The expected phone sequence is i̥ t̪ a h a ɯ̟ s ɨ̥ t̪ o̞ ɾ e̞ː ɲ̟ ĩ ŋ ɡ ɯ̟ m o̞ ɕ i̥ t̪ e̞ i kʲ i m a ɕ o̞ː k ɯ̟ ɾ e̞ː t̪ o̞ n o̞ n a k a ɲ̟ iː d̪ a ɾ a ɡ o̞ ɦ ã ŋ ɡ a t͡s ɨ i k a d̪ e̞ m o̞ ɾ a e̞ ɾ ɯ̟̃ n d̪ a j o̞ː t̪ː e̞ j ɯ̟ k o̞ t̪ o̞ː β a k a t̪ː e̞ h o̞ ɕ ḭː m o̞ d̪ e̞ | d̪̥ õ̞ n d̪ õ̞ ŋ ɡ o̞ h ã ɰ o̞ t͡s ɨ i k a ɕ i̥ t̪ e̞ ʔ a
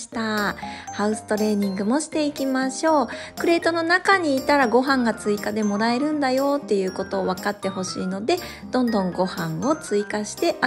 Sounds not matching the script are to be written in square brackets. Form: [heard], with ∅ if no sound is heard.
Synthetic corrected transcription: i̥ t̪ a h a ɯ̟ s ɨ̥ t̪ o̞ ɾ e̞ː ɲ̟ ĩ ŋ ɡ ɯ̟ m o̞ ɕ i̥ t̪ e̞ i kʲ i m a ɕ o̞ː k ɯ̟ ɾ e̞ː t̪ o̞ n o̞ n a k a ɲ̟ iː [t̪] a ɾ a ɡ o̞ ɦ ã ŋ ɡ a t͡s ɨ i k a d̪ e̞ m o̞ ɾ a e̞ ɾ ɯ̟̃ n d̪ a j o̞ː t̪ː e̞ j [ɯ̟ː] k o̞ t̪ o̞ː β a k a t̪ː e̞ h o̞ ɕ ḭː [n] o̞ d̪ e̞ | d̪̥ õ̞ n d̪ õ̞ ŋ ɡ o̞ h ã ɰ o̞ t͡s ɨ i k a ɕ i̥ t̪ e̞ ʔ a